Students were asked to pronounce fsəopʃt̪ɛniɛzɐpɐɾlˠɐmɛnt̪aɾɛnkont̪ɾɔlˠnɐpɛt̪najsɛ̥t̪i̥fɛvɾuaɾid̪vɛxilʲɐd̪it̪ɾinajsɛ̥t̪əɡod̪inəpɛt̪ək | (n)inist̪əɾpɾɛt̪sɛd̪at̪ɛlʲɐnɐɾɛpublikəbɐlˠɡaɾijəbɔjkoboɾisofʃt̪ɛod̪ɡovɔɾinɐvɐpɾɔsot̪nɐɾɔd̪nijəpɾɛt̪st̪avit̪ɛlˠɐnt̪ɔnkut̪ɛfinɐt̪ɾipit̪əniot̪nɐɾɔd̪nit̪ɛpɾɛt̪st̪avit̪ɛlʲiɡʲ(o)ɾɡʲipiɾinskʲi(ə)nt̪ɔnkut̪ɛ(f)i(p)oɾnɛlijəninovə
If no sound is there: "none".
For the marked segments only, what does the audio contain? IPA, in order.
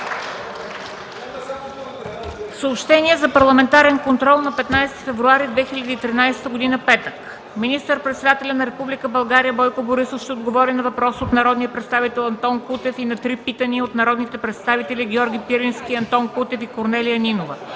m, ɔ, ɐ, f, k

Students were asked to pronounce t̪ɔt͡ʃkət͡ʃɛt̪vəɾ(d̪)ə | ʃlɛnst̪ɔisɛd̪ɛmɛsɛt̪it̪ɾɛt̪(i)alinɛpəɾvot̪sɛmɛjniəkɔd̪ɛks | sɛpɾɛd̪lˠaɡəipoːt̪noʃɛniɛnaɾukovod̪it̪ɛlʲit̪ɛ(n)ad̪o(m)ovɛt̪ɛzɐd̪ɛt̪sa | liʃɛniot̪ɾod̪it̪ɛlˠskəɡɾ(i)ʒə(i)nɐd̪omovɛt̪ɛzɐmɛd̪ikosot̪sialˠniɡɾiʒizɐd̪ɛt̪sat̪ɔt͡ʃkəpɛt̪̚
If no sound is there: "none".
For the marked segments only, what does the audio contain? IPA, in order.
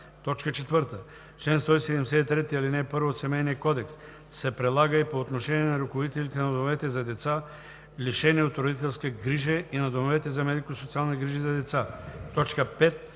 t̪, i, n, m, i, i

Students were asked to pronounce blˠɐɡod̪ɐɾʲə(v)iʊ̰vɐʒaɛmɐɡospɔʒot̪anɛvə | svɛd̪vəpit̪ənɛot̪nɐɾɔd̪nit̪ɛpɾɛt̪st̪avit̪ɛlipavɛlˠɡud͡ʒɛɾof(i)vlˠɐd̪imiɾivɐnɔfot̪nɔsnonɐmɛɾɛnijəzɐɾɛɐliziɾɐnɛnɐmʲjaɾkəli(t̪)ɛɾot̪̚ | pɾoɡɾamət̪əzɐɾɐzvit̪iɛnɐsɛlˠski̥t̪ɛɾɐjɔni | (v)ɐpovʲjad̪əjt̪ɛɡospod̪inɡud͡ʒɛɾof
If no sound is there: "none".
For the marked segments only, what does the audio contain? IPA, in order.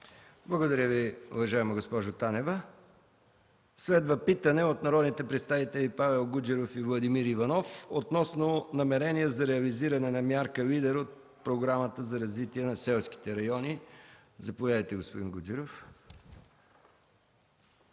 v, i, d̪, z

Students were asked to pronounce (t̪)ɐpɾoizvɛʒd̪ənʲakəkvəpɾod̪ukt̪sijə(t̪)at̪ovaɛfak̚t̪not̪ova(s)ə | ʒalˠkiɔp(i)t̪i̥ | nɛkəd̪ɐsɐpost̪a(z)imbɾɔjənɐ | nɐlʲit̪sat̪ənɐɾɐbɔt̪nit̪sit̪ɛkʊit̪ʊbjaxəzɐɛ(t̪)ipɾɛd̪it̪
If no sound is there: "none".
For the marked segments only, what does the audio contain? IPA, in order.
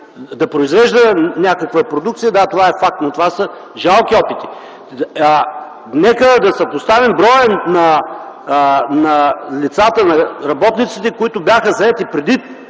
d̪, d̪, s, i, v, t̪

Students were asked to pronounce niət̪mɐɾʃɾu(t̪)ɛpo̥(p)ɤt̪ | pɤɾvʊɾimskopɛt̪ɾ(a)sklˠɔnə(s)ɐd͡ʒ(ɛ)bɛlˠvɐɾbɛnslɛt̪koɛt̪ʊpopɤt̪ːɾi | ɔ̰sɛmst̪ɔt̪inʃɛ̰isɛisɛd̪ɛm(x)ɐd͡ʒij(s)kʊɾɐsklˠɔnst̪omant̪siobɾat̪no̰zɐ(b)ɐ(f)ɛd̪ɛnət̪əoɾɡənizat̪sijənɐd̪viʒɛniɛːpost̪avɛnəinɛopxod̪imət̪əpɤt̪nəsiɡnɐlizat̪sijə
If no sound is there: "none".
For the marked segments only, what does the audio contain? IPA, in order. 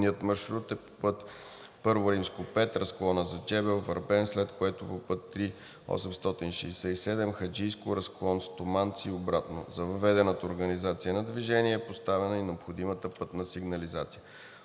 t̪, p, ɐ, z, ɛ, x, s, v, v

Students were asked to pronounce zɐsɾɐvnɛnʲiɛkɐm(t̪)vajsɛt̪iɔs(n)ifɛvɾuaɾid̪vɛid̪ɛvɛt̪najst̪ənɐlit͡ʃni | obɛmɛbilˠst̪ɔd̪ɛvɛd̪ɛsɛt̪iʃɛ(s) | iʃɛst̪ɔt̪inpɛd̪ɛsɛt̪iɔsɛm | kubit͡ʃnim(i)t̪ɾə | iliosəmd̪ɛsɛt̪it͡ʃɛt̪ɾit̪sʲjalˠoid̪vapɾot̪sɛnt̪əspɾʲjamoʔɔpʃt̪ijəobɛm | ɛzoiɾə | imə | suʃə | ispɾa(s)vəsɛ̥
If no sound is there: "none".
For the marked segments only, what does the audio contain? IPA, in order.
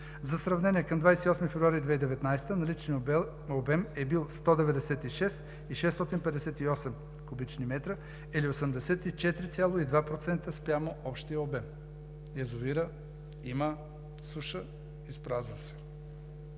d̪, m, s, ɛ, z

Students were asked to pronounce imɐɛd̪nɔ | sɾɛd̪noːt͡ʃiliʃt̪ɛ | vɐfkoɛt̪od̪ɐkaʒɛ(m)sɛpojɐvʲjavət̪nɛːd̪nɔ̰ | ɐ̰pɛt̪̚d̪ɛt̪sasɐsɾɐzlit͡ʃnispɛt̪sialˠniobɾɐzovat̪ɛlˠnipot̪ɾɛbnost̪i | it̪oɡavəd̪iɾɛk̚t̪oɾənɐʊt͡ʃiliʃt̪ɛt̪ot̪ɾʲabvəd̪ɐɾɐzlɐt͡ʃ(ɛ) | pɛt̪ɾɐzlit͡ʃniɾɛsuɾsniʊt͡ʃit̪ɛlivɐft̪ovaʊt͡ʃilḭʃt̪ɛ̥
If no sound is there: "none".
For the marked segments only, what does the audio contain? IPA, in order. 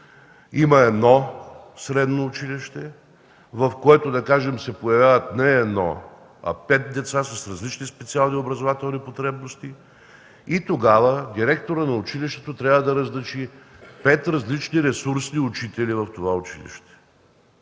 m, i

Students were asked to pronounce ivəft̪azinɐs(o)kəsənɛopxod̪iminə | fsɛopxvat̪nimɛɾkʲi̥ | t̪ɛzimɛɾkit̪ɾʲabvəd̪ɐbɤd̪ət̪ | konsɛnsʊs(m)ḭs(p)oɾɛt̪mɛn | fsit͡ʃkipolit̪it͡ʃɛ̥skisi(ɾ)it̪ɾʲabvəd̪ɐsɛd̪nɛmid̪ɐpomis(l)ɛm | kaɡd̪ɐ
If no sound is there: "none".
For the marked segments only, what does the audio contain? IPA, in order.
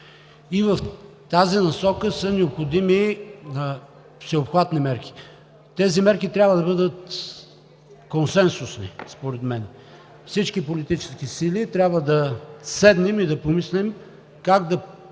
ɔ, n, p, l, l

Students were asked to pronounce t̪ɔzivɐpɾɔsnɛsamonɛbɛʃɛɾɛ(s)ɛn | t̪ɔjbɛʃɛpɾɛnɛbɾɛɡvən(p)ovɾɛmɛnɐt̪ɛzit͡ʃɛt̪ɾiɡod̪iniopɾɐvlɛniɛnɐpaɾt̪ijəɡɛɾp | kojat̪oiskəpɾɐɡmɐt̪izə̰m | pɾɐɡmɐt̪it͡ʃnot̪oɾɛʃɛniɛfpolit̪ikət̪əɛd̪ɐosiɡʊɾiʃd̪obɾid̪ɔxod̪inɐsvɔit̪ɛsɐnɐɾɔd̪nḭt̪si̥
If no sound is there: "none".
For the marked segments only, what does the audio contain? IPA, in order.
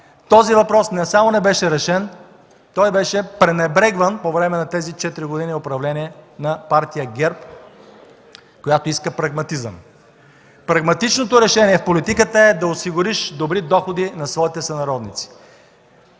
ʃ, p

